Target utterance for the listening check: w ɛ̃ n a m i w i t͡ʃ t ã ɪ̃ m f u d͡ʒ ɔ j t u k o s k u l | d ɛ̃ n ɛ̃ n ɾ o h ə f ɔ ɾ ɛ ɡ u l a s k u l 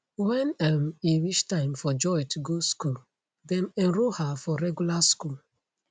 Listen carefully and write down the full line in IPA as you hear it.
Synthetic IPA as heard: w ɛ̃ n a m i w i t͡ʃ t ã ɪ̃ m f ɔ d͡ʒ ɔ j t u ɡ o s k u l | d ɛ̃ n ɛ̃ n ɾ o h a f ɔ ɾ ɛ ɡ u l a s k u l